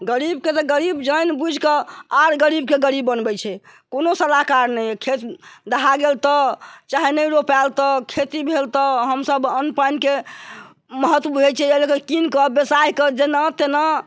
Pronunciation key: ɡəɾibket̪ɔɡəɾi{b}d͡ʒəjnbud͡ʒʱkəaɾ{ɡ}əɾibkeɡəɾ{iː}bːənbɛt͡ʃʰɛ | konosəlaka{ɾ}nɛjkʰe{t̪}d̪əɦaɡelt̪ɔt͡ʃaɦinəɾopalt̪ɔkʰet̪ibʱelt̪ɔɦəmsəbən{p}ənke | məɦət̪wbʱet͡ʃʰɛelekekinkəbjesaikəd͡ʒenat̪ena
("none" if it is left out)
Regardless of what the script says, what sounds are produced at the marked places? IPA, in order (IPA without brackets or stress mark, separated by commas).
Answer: b, ɡ, i, ɾ, t̪, p